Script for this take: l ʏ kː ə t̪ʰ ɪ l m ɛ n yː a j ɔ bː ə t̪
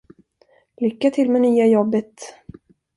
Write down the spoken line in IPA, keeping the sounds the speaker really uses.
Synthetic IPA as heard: l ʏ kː a t̪ʰ ɪ l m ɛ n yː a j ɔ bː ə t̪